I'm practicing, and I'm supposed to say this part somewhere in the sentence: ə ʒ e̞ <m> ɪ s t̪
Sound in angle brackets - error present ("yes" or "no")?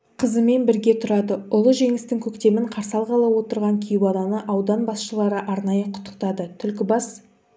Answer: yes